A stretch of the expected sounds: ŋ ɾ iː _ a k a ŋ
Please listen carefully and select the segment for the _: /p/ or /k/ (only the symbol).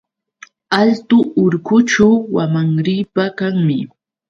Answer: p